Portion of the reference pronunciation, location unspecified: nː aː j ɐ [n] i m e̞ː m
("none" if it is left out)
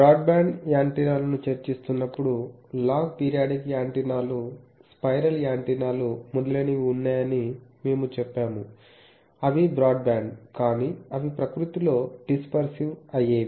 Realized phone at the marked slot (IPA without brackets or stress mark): n